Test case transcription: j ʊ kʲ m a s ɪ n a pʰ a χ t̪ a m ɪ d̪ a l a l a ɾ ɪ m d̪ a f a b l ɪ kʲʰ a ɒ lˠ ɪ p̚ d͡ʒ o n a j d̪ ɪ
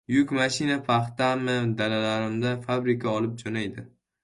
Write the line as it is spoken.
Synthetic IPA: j ʊ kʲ m a ʃ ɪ n a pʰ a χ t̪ a m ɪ d̪ a l a l a ɾ ɪ m d̪ a f a b ɾ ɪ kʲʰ a ɒ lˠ ɪ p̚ d͡ʒ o n a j d̪ ɪ

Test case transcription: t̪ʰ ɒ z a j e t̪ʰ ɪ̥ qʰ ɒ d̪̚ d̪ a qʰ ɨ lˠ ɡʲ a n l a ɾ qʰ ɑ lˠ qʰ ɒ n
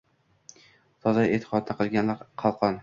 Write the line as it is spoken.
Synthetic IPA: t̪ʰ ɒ z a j e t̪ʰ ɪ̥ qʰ ɒ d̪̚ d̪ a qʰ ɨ lˠ ɡʲ a n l a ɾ qʰ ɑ lˠ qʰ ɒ n

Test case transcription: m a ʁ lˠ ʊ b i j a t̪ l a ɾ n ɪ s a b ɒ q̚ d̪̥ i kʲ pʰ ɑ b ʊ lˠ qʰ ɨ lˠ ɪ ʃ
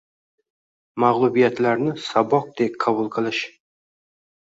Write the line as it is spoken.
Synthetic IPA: m a ʁ lˠ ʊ b i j a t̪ l a ɾ n ɪ s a b ɒ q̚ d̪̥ e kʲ qʰ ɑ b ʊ lˠ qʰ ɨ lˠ ɪ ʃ

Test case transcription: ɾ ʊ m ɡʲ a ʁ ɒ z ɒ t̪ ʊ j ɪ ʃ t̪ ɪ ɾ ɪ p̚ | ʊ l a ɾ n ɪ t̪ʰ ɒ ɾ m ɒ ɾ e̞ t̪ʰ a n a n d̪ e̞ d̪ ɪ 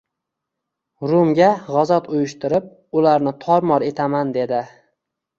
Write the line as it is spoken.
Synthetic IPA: ɾ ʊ m ɡʲ a ʁ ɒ z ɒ t̪ ʊ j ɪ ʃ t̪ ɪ ɾ ɪ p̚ | ʊ l a ɾ n ɪ t̪ʰ ɒ ɾ m ɒ ɾ e̞ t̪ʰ a m a n d̪ e̞ d̪ ɪ

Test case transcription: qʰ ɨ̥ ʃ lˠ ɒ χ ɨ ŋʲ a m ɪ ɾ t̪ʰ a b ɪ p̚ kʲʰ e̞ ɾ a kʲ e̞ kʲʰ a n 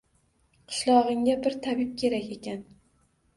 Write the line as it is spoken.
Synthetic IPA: qʰ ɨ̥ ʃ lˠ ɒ ʁ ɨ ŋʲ a b ɪ ɾ t̪ʰ a b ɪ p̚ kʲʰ e̞ ɾ a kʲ e̞ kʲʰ a n

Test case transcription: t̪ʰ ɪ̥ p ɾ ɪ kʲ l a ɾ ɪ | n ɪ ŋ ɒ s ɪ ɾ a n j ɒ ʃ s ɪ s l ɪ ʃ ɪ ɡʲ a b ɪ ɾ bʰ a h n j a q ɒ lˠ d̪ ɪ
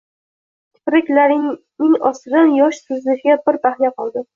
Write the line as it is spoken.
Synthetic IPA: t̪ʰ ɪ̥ p ɾ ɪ kʲ l a ɾ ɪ | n ɪ ŋ ɒ s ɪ ɾ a n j ɒ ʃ s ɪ z l ɪ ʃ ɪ ɡʲ a b ɪ ɾ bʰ a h n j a q ɒ lˠ d̪ ɪ

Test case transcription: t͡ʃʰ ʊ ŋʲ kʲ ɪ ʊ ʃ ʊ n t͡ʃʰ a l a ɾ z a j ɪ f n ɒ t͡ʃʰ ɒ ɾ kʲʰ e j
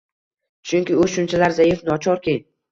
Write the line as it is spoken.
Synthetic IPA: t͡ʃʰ ʊ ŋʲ kʲ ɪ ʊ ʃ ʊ n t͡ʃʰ a l a ɾ z a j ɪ f n ɒ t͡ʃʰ ɒ ɾ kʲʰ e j

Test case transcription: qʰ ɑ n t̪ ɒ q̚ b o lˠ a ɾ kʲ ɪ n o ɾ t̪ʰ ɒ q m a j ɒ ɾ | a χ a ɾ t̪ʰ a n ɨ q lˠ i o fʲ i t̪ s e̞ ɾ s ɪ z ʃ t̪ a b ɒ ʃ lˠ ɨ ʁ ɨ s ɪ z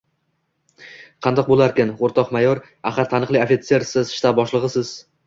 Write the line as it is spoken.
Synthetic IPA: qʰ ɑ n d̪ ɒ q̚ b o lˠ a ɾ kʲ ɪ n o ɾ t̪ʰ ɒ q m a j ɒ ɾ | a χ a ɾ t̪ʰ a n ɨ q lˠ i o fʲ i t̪ s e̞ ɾ s ɪ z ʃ t̪ a b ɒ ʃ lˠ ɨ ʁ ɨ s ɪ z

